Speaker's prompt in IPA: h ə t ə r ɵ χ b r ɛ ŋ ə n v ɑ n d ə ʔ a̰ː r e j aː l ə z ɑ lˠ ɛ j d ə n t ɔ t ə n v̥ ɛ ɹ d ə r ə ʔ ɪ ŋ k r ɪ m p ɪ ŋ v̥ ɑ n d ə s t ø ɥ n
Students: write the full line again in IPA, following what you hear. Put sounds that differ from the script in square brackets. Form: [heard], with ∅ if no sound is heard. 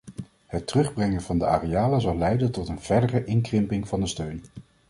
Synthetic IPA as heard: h ə t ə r ɵ χ b r ɛ ŋ ə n v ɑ n d ə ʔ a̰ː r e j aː l ə z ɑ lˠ ɛ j d ə n t ɔ t ə n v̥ ɛ ɹ d ə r ə ʔ ɪ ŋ k r ɪ m p ɪ ŋ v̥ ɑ n d ə s t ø ɥ n